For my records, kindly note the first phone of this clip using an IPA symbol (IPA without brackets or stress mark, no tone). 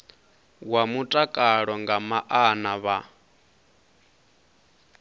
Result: w